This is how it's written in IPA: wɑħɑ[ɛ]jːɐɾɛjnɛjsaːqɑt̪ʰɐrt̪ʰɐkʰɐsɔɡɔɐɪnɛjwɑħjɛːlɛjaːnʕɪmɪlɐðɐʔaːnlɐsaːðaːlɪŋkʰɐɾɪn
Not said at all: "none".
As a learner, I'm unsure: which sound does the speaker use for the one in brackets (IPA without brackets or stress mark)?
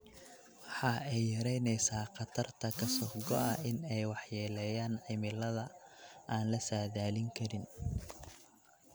ɛ